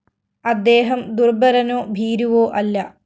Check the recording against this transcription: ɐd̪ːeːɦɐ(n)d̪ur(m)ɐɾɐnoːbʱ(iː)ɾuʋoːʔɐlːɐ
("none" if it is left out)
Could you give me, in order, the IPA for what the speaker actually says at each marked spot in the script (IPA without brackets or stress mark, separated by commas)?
m, b, iː